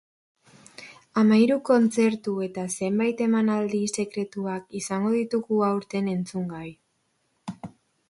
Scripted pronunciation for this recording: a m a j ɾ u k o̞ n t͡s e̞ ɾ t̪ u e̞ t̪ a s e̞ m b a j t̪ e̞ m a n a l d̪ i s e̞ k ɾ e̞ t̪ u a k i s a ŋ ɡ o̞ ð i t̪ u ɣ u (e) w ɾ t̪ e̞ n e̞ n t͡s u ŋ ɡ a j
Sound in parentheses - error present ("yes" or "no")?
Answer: yes